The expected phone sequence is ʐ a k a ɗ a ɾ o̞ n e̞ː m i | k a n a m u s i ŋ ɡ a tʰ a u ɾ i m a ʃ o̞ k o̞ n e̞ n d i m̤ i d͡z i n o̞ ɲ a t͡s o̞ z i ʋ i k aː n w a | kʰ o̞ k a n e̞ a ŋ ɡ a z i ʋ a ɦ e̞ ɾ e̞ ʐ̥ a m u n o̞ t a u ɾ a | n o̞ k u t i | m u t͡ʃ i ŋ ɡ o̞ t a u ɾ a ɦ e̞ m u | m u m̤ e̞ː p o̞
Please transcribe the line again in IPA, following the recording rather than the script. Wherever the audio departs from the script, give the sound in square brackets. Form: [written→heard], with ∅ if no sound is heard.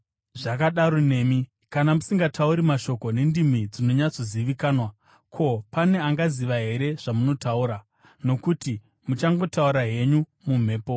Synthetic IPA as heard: ʐ a k a ɗ a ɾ o̞ n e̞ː m i | k a n a m u s i ŋ ɡ a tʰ a u ɾ i m a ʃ o̞ k o̞ n e̞ n d i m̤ i d͡z i n o̞ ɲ a t͡s o̞ z i ʋ i k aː n w a | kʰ o̞ [k→p] a n e̞ a ŋ ɡ a z i ʋ a ɦ e̞ ɾ e̞ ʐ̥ a m u n o̞ t a u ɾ a | n o̞ k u t i | m u t͡ʃ [i→a] ŋ ɡ o̞ t a u ɾ a ɦ e̞ [m→ɲ] u | m u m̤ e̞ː p o̞